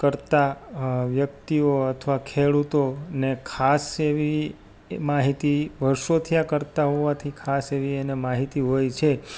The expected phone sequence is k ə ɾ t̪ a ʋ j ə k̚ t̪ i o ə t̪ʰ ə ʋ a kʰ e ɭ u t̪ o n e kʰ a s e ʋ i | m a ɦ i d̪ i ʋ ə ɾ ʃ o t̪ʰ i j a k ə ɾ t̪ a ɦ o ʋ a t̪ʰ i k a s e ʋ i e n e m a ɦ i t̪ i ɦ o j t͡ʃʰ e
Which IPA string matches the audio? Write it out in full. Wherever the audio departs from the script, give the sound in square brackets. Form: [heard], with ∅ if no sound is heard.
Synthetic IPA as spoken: k ə ɾ t̪ a ʋ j ə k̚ t̪ i o ə t̪ʰ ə ʋ a kʰ e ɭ u t̪ o n e kʰ a s e ʋ i | m a ɦ i [t̪] i ʋ ə ɾ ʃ o t̪ʰ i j a k ə ɾ t̪ a ɦ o ʋ a t̪ʰ i [kʰ] a s e ʋ i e n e m a ɦ i t̪ i ɦ o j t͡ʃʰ e